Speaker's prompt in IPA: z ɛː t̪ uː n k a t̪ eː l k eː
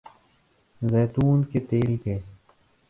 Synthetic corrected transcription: z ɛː t̪ uː n k e t̪ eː l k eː